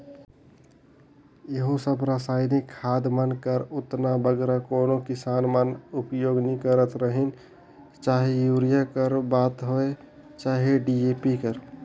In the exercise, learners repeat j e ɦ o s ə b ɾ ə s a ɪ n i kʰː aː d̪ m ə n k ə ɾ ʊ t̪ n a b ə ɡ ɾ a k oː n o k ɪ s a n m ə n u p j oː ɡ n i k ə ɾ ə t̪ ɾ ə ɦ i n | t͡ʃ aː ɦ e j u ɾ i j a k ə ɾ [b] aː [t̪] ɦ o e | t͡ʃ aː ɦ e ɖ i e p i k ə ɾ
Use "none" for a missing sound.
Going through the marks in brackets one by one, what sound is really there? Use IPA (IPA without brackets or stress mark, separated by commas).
b, t̪